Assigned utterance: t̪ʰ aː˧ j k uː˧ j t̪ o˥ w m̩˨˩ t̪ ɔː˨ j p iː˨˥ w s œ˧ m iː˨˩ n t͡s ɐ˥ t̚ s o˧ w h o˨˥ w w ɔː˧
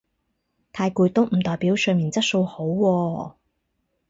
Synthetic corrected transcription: t̪ʰ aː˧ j k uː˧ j t̪ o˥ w m̩˨˩ t̪ ɔː˨ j p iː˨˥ w s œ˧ m iː˨˩ n t͡s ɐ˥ t̚ s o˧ w h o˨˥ w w ɔː˧

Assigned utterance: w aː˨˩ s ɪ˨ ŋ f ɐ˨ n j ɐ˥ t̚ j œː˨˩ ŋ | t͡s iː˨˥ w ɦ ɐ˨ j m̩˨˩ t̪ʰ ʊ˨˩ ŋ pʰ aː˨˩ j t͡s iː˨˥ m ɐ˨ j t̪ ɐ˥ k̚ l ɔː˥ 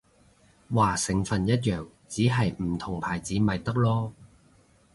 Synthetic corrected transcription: w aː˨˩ s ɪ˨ ŋ f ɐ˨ n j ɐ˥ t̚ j œː˨˩ ŋ | t͡s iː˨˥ ɦ ɐ˨ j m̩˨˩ t̪ʰ ʊ˨˩ ŋ pʰ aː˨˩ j t͡s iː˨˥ m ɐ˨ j t̪ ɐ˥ k̚ l ɔː˥

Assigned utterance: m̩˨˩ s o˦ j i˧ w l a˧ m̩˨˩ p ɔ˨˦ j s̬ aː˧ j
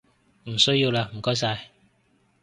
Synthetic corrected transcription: m̩˨˩ s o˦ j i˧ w l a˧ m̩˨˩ k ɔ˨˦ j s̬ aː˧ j

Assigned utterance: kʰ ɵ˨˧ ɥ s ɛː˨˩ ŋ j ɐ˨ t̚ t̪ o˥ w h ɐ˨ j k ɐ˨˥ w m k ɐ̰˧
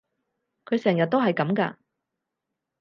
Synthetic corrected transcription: kʰ ɵ˨˧ ɥ s ɛː˨˩ ŋ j ɐ˨ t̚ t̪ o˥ w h ɐ˨ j k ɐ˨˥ m k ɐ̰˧

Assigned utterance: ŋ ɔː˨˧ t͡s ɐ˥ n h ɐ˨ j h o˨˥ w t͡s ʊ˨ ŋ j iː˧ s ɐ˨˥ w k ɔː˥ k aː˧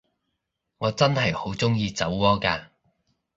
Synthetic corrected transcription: ŋ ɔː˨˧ t͡s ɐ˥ n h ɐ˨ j h o˨˥ w t͡s ʊ˥ ŋ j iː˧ t͡s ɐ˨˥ w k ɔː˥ k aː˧

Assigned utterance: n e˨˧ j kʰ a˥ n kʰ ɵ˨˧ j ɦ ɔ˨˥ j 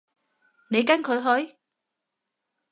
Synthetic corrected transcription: n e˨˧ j k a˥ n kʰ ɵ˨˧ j ɦ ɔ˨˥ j

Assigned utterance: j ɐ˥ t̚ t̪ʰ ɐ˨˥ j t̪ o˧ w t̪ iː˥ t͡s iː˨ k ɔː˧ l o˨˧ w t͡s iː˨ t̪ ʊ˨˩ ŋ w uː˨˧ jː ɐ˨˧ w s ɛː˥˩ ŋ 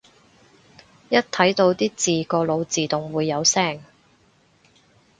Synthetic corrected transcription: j ɐ˥ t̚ t̪ʰ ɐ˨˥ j t̪ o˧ w t̪ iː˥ t͡s iː˨ k ɔː˧ l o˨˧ w t͡s iː˨ t̪ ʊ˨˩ ŋ w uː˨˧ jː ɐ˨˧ w s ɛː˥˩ ŋ

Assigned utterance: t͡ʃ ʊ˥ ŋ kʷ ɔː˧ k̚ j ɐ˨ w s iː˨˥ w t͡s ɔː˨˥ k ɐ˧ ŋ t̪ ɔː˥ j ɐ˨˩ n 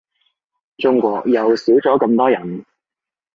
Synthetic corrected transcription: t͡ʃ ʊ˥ ŋ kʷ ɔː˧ k̚ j ɐ˨ w s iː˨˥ w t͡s ɔː˨˥ k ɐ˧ m t̪ ɔː˥ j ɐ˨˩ n

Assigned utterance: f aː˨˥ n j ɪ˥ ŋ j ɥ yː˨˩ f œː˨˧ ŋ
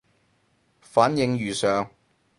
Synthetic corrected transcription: f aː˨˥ n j ɪ˧ ŋ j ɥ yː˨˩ s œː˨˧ ŋ

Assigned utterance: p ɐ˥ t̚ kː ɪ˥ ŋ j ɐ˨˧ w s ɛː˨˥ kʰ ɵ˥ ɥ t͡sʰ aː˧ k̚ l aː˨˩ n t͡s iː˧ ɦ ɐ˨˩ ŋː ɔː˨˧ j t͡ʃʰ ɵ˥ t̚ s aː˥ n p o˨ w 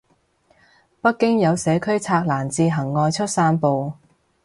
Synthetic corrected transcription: p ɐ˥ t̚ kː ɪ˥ ŋ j ɐ˨˧ w s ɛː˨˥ kʰ ɵ˥ ɥ t͡sʰ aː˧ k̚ l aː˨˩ n t͡s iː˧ ɦ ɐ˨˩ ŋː ɔː˨˧ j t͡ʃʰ ɵ˥ t̚ s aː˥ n p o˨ w

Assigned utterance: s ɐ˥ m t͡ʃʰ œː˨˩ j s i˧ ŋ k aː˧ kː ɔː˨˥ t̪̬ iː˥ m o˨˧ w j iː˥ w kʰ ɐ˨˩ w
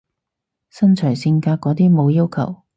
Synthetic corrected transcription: s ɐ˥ n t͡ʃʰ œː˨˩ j s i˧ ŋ k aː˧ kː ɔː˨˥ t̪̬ iː˥ m o˨˧ w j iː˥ w kʰ ɐ˨˩ w

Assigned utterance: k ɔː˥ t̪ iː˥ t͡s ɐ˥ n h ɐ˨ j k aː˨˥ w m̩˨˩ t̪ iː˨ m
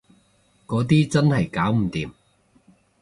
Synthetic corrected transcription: k ɔː˨˥ t̪ iː˥ t͡s ɐ˥ n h ɐ˨ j k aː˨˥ w m̩˨˩ t̪ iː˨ m

